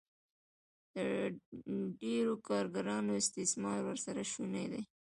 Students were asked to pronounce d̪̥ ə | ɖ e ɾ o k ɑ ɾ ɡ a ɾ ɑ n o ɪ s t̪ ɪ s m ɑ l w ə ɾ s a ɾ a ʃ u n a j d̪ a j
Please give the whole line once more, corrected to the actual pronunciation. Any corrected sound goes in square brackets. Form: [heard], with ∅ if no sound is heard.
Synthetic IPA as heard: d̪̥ ə | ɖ e ɾ o k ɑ ɾ ɡ a ɾ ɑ n o ɪ s t̪ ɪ s m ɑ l w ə ɾ s a ɾ a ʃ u n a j d̪ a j